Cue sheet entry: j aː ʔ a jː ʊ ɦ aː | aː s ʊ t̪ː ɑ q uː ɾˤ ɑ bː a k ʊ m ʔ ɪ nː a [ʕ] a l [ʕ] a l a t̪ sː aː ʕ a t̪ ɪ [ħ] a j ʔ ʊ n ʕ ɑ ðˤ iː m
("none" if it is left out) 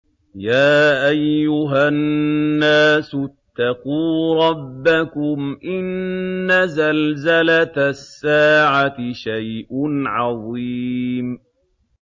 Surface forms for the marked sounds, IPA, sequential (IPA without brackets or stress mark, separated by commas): z, z, ʃ